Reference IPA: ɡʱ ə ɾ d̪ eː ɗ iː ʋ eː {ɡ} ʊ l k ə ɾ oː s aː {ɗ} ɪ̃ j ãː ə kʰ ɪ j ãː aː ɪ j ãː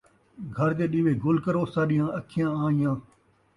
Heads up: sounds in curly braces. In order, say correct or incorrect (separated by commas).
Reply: correct, correct